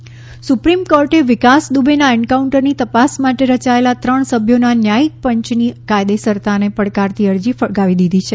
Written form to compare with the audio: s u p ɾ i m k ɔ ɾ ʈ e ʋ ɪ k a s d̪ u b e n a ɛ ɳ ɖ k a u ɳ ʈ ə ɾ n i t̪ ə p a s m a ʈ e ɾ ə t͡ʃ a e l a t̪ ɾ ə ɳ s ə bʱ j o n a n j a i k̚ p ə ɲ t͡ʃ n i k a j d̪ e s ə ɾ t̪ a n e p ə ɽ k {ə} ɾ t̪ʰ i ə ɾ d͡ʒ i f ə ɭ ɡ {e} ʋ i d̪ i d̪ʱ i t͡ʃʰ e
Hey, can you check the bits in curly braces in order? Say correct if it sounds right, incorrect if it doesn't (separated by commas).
incorrect, incorrect